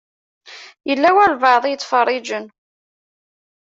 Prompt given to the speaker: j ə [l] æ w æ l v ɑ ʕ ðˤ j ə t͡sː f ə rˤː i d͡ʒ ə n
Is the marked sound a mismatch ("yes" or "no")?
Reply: yes